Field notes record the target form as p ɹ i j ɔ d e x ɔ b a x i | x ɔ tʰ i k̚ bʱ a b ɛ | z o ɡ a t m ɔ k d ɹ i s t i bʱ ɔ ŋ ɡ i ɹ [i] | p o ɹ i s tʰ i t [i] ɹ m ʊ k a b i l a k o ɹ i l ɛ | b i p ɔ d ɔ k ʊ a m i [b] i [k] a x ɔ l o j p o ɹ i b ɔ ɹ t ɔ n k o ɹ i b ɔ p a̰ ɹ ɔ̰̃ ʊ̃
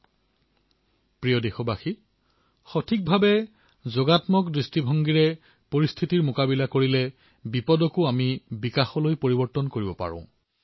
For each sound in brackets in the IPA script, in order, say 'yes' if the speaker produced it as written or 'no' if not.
no, yes, yes, yes

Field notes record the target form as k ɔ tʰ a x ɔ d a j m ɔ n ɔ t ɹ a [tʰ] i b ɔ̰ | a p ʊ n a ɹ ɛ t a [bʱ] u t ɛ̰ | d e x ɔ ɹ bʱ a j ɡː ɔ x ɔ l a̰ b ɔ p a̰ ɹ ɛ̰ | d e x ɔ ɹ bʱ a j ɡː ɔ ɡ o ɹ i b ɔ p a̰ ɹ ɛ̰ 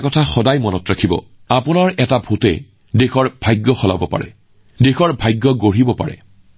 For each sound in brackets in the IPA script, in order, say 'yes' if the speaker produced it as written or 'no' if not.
no, yes

